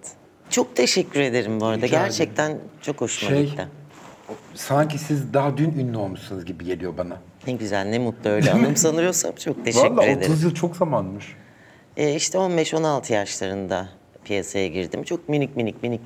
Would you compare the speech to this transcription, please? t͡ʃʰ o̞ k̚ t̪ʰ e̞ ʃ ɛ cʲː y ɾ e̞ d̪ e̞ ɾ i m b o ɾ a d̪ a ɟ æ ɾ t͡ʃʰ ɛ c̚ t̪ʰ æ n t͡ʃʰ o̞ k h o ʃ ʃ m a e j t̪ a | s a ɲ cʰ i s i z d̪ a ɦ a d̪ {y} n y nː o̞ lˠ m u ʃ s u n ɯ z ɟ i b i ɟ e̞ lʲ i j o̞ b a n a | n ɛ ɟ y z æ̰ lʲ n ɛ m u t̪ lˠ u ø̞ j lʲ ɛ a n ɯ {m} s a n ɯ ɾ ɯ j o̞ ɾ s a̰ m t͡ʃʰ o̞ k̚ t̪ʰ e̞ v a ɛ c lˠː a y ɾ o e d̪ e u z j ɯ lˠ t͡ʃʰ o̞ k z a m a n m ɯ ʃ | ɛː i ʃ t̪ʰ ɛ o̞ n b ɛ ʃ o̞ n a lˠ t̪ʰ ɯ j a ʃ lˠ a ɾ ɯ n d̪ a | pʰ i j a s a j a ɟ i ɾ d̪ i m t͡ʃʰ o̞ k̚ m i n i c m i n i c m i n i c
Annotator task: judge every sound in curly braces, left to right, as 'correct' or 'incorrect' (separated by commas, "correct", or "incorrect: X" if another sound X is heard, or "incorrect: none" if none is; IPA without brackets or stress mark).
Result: correct, correct